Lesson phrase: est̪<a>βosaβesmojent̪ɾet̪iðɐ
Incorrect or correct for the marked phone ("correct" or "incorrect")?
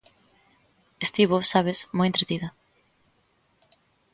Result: incorrect